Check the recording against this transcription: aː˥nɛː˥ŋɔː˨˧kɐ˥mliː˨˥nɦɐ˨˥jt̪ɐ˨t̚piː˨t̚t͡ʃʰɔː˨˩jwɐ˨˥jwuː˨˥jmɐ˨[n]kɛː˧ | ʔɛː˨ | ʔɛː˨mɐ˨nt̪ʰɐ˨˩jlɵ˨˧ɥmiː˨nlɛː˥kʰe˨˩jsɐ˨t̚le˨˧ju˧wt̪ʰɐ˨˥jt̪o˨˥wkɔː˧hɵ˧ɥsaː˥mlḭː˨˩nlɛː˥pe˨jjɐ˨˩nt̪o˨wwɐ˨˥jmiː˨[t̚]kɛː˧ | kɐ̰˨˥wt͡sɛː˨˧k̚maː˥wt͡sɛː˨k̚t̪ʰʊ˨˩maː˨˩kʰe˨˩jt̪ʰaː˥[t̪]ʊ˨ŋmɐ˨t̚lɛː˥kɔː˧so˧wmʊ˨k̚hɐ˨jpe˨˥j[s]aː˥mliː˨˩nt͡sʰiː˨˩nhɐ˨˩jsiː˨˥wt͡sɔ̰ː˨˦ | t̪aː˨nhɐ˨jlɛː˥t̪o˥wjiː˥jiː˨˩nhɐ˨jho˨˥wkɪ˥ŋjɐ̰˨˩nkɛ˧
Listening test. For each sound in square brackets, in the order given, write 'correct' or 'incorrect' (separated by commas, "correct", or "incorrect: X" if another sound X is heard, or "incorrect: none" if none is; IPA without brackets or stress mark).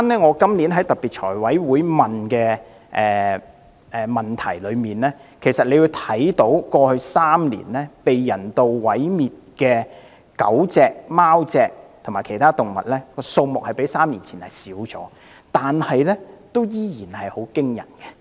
correct, correct, correct, correct